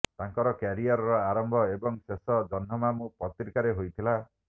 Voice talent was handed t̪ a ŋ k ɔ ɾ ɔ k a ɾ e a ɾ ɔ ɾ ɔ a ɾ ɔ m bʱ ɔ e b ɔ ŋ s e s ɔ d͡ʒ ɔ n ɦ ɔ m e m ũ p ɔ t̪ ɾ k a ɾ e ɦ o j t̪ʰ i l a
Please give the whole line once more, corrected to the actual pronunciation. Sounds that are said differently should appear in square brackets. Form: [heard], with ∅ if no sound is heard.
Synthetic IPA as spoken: t̪ a ŋ k ɔ ɾ ɔ k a ɾ [i] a ɾ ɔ ɾ ɔ a ɾ ɔ m bʱ ɔ e b ɔ ŋ s e s ɔ d͡ʒ ɔ n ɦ ɔ m [a] m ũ p ɔ t̪ ɾ k a ɾ e ɦ o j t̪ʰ i l a